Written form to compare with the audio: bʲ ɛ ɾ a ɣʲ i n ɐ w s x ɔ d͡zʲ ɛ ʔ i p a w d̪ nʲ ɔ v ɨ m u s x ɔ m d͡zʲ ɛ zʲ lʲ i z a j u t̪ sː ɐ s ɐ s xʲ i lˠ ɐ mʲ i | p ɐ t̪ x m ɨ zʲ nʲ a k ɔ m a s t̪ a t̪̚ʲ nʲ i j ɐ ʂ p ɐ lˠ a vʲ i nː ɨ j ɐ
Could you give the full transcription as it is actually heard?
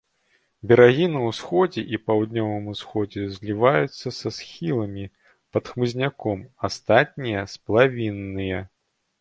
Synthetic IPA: bʲ ɛ ɾ a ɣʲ i n ɐ w s x ɔ d͡zʲ ɛ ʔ i p a w d̪ nʲ ɔ v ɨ m u s x ɔ d͡zʲ ɛ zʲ lʲ i v a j u t̪ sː ɐ s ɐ s xʲ i lˠ ɐ mʲ i | p ɐ t̪ x m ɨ zʲ nʲ a k ɔ m a s t̪ a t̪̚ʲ nʲ i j ɐ s p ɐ lˠ a vʲ i nː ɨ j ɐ